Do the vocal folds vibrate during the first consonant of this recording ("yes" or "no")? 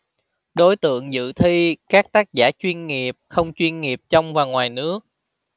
yes